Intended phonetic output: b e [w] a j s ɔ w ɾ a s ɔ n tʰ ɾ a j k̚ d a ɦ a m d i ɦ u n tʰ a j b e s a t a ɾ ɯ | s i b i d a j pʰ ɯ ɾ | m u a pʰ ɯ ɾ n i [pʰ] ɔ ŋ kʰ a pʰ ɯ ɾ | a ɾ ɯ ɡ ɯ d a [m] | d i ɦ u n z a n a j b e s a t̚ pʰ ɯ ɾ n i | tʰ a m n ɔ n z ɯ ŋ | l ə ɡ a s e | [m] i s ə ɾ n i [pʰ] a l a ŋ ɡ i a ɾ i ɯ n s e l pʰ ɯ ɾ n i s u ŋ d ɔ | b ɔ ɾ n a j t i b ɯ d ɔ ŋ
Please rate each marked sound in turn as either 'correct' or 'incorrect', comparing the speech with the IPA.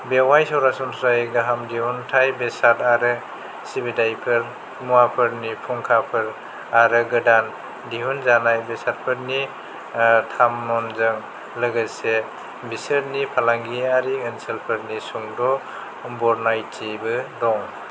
correct, correct, incorrect, incorrect, correct

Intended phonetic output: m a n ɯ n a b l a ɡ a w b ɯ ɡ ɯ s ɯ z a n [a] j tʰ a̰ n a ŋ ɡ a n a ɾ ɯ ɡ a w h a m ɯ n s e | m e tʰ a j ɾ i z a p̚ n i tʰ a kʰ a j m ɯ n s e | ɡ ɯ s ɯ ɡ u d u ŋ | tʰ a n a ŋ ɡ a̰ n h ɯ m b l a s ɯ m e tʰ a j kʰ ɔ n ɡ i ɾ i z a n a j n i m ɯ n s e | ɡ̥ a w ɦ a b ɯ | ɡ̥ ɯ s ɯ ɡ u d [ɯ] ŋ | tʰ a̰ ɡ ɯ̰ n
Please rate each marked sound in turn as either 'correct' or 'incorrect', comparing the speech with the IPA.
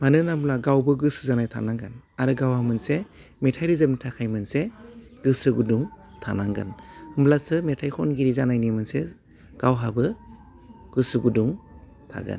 correct, incorrect

